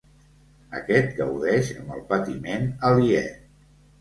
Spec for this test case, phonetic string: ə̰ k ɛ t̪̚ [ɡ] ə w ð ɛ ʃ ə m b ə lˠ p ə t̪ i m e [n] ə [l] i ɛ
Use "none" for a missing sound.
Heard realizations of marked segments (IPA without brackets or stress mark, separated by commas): ɡ, n, l